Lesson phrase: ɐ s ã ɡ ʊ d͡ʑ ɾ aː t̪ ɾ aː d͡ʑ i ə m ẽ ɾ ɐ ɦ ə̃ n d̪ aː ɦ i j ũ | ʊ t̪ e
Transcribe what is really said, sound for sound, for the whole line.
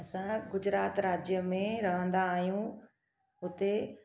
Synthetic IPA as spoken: ɐ s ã ɡ ʊ d͡ʑ ɾ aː t̪ ɾ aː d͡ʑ j ə m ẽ ɾ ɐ ɦ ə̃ n d̪ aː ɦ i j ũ | ʊ t̪ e

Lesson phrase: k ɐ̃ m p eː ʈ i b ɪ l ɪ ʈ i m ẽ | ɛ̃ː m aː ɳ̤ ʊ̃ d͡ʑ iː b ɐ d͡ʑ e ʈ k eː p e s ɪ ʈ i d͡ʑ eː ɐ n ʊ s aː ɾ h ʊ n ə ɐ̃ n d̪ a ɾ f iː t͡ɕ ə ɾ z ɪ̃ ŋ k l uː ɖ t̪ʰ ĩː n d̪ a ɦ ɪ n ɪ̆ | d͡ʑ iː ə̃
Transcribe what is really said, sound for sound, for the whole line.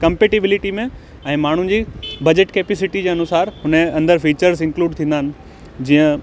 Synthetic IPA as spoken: k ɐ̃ m p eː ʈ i b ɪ l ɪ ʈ i m ẽ | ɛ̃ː m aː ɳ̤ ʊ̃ d͡ʑ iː b ɐ d͡ʑ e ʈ k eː p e s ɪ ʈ i d͡ʑ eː ɐ n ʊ s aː ɾ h ʊ n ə ɐ̃ n d̪ ə ɾ f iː t͡ɕ ə ɾ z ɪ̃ ŋ k l uː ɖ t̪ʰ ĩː n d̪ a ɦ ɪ n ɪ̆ | d͡ʑ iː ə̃

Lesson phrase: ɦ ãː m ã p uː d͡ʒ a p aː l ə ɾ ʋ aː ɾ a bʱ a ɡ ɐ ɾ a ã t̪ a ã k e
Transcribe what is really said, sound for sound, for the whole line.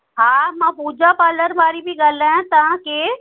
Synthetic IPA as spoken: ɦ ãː m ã p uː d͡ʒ a p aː l ə ɾ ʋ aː ɾ i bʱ i ɡ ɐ l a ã t̪ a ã k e

